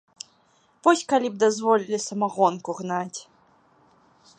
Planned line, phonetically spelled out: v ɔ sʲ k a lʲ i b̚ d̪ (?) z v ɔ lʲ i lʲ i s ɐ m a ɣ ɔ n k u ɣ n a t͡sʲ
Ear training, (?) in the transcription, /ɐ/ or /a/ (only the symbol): a